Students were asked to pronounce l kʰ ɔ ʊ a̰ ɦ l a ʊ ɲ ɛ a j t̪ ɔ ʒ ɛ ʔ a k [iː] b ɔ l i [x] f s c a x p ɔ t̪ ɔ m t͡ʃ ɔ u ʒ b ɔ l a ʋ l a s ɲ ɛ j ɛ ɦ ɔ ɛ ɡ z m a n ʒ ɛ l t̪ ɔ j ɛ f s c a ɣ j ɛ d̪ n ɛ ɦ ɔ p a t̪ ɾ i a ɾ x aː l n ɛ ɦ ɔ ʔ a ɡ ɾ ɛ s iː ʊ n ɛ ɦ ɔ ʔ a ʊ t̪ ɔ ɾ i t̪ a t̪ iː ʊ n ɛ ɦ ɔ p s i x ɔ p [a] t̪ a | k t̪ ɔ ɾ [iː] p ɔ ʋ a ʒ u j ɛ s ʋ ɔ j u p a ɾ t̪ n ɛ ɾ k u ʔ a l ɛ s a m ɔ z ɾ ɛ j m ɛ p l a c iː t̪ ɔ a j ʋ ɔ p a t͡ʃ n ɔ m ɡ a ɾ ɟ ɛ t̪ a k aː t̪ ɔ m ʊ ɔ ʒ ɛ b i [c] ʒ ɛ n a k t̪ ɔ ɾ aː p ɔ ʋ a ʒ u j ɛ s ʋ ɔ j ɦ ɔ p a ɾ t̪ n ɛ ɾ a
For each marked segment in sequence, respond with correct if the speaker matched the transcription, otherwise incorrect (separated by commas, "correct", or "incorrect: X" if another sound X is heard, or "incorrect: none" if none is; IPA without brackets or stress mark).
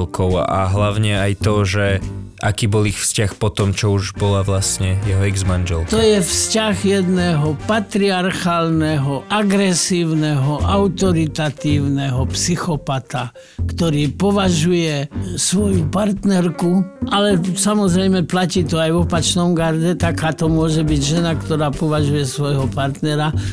correct, correct, correct, correct, incorrect: ɟ